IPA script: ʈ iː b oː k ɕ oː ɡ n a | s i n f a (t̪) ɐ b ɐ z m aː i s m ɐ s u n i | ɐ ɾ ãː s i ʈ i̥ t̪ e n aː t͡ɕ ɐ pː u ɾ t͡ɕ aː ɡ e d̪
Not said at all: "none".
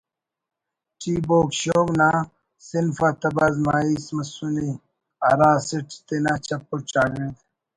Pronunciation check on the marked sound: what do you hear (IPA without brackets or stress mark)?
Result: t̪